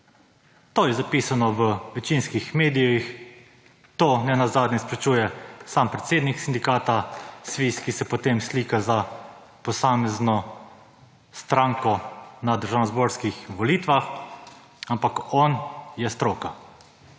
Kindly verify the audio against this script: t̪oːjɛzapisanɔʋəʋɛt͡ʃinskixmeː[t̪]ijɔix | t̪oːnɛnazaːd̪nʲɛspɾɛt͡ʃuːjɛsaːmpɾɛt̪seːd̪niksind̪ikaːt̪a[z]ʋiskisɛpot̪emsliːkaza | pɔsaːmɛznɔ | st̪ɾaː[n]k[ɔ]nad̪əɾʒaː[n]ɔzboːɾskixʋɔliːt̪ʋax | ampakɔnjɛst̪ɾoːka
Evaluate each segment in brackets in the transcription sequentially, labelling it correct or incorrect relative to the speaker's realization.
incorrect, incorrect, incorrect, correct, correct

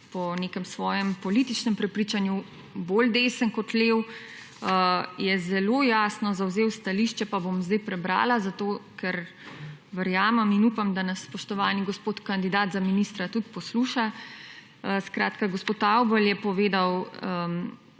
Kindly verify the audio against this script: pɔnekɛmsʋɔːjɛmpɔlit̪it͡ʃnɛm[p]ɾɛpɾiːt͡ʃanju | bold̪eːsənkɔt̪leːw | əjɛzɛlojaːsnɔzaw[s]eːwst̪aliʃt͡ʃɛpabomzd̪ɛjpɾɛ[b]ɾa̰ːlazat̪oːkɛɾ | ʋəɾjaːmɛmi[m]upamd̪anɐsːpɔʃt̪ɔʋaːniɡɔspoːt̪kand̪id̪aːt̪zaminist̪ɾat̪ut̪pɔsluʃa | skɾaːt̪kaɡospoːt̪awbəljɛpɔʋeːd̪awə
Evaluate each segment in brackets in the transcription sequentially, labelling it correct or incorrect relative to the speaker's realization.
correct, incorrect, correct, incorrect

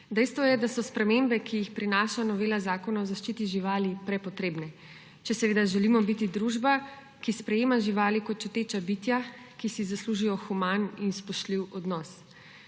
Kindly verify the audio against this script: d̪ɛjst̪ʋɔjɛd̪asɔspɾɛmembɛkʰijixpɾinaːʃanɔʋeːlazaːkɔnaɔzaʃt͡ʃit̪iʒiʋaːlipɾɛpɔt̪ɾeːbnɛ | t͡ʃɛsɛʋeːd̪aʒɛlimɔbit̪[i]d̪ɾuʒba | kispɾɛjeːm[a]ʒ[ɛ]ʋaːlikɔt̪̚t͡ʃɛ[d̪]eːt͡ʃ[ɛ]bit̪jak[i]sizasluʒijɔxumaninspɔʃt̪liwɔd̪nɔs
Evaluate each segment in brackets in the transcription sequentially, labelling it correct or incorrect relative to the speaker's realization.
correct, correct, incorrect, incorrect, incorrect, correct

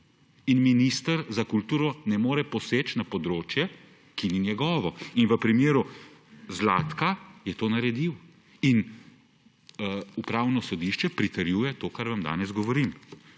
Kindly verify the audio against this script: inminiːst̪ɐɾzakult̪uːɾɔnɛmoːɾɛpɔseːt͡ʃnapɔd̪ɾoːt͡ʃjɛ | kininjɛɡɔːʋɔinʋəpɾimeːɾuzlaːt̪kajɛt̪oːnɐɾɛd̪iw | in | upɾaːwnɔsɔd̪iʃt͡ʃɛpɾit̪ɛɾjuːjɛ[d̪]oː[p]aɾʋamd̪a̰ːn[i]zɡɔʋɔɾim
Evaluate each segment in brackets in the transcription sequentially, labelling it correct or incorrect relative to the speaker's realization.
incorrect, incorrect, incorrect

